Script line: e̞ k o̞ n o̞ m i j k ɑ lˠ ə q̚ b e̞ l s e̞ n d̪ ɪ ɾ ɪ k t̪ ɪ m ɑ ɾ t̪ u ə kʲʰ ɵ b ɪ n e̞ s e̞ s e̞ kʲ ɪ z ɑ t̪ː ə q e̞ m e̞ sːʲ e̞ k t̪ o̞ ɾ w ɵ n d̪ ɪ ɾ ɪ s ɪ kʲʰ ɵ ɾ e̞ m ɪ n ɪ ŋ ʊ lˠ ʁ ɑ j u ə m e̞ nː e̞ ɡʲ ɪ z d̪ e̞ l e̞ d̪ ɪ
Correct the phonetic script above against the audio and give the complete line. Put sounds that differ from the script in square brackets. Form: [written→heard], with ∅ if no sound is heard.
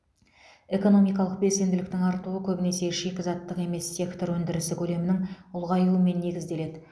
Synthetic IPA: e̞ k o̞ n o̞ m i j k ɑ lˠ ə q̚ b e̞ l s e̞ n d̪ ɪ [ɾ→l] ɪ k t̪ ɪ [m→ŋ] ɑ ɾ t̪ u ə kʲʰ ɵ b ɪ n e̞ s e̞ [s→ʃ] e̞ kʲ ɪ z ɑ t̪ː ə q e̞ m e̞ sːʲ e̞ k t̪ o̞ ɾ w ɵ n d̪ ɪ ɾ ɪ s ɪ kʲʰ ɵ [ɾ→l] e̞ m ɪ n ɪ ŋ ʊ lˠ ʁ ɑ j u ə m e̞ nː e̞ ɡʲ ɪ z d̪ e̞ l e̞ d̪ ɪ